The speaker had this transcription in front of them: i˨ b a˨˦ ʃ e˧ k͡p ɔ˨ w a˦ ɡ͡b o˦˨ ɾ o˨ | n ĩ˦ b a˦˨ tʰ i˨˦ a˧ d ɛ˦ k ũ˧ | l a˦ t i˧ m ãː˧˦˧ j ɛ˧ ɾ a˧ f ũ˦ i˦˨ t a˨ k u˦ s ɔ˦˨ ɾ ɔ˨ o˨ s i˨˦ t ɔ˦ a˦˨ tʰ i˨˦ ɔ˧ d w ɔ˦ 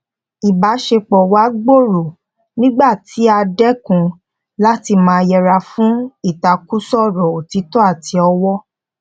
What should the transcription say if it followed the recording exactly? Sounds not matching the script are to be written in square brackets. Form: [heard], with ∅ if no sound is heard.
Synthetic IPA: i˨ b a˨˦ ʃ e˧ k͡p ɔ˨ w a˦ ɡ͡b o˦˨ ɾ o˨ | n ĩ˦ [ɡ͡b] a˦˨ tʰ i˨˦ a˧ d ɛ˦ k ũ˧ | l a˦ t i˧ m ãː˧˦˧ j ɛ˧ ɾ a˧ f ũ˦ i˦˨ t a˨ k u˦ s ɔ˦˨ ɾ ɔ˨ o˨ [t] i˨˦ t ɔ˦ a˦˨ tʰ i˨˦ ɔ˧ [∅] w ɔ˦

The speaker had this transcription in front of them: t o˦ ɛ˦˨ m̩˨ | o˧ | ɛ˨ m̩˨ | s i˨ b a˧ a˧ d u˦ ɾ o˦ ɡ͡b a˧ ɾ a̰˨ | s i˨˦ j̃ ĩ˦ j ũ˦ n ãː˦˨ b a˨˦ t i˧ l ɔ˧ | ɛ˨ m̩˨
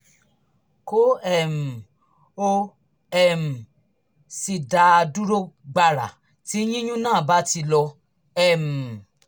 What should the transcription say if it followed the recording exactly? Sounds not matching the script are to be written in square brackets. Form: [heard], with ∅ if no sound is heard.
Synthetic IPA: [k] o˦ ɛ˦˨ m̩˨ | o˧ | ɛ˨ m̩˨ | s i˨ [d] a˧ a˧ d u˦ ɾ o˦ ɡ͡b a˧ ɾ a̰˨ | [t] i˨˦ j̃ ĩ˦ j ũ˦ n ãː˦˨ b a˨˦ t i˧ l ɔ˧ | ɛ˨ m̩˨

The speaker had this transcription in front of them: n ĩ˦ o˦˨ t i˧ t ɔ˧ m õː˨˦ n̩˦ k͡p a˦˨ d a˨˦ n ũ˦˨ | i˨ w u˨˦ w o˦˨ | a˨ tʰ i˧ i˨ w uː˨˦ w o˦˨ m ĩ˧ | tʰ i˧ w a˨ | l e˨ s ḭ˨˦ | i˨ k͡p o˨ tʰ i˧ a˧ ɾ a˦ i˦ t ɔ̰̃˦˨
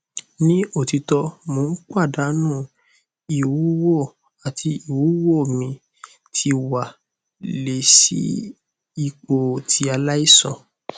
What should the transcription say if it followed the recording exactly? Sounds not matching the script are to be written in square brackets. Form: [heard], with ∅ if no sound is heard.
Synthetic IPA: n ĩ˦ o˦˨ t i˧ t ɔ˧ m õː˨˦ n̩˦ k͡p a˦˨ d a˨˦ n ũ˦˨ | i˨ w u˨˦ w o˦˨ | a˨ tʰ i˧ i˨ w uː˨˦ w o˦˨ m ĩ˧ | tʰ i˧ w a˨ | l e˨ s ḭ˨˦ | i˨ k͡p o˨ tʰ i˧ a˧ [l] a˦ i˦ [s] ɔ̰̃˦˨

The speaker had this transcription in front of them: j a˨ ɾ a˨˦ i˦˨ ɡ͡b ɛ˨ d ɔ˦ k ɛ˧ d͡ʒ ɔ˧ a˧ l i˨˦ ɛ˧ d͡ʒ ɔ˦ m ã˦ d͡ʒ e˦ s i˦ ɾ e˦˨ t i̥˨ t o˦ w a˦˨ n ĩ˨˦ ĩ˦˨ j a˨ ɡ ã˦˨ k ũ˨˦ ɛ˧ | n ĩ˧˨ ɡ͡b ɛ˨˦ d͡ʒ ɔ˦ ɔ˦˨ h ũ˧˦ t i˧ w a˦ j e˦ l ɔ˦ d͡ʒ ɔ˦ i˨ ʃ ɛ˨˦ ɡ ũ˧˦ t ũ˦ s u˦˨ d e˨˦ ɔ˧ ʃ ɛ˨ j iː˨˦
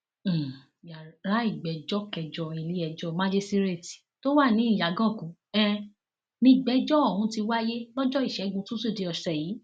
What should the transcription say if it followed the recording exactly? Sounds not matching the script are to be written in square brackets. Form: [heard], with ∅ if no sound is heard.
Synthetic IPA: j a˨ ɾ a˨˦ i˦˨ ɡ͡b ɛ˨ [d͡ʒ] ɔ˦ k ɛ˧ d͡ʒ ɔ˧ [i˧] l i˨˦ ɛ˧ d͡ʒ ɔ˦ m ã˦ d͡ʒ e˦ s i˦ ɾ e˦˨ t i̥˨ t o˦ w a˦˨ n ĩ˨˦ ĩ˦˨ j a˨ ɡ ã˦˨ k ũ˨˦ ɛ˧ | n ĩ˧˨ ɡ͡b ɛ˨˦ d͡ʒ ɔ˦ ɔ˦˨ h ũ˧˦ t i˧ w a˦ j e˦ l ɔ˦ d͡ʒ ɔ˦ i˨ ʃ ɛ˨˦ ɡ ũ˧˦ t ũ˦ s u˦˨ d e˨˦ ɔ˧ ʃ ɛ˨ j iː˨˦

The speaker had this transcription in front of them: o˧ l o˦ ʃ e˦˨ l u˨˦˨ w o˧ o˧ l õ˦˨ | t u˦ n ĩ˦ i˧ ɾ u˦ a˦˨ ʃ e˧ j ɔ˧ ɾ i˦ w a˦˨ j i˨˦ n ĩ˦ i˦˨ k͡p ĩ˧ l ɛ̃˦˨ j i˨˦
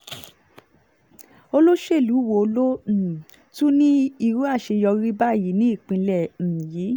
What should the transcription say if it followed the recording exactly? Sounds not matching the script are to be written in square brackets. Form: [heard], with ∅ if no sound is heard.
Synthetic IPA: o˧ l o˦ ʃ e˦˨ l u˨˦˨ w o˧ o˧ l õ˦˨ | t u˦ n ĩ˦ i˧ ɾ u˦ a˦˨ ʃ e˧ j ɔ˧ ɾ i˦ [b] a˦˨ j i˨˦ n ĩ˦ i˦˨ k͡p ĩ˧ l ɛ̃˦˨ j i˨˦

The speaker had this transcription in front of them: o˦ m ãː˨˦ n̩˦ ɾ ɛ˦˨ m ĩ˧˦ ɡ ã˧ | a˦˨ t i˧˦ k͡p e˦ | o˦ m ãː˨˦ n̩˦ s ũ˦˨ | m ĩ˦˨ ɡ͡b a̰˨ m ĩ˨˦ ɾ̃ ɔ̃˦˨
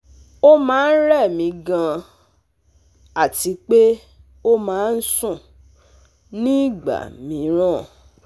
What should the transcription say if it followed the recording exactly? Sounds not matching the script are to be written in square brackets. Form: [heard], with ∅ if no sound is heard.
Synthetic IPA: o˦ m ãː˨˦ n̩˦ ɾ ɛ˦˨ m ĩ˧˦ ɡ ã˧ | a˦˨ t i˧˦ k͡p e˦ | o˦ m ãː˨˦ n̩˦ s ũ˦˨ | [n] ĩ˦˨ ɡ͡b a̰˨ m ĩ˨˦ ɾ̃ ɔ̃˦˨

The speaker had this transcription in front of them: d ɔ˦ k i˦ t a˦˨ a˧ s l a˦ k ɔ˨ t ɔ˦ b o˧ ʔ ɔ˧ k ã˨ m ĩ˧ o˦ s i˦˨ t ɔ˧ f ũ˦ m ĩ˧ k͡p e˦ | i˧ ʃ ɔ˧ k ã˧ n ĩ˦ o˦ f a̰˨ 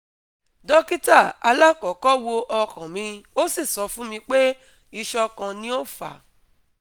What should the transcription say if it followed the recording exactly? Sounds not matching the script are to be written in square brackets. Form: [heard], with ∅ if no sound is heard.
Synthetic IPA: d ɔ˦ k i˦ t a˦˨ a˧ [∅] l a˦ k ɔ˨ [k] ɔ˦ [w] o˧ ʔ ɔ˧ k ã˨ m ĩ˧ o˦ s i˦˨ [s] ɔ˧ f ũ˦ m ĩ˧ k͡p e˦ | i˧ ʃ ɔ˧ k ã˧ n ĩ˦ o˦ f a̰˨

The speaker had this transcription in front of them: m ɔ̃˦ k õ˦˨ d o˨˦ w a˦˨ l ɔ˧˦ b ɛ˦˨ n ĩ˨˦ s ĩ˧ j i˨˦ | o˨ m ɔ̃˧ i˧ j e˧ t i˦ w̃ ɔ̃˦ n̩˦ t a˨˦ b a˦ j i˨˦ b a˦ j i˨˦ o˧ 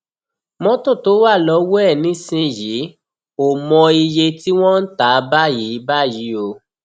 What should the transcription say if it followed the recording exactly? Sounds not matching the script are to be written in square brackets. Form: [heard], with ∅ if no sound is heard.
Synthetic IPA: m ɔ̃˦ [t] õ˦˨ [t] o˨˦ w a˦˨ l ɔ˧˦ [w] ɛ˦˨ n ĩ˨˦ s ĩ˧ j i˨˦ | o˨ m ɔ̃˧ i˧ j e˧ t i˦ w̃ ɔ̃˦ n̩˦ t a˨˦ b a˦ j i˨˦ b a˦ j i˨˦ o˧

